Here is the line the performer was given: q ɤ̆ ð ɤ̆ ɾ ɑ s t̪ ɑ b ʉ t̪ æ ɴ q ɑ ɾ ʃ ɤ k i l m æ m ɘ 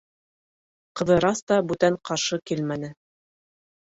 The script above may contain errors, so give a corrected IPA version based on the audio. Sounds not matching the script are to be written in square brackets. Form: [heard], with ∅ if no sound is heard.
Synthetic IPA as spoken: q ɤ̆ ð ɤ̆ ɾ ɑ s t̪ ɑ b ʉ t̪ æ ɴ q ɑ ɾ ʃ ɤ k i l m æ [n] ɘ